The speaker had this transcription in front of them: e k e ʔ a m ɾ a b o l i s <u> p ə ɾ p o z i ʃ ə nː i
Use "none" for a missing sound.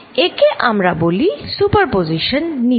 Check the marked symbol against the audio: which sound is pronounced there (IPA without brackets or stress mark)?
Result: u